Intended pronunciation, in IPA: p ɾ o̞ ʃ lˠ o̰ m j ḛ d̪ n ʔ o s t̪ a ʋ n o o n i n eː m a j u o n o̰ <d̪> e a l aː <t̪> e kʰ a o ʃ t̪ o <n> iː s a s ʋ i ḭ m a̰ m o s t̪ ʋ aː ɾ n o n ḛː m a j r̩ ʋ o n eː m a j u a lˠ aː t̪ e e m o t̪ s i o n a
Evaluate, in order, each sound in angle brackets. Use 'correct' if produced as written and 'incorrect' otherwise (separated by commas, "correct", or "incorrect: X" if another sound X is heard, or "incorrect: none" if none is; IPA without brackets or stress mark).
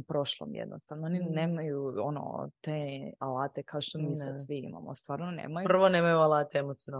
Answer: incorrect: t̪, correct, incorrect: m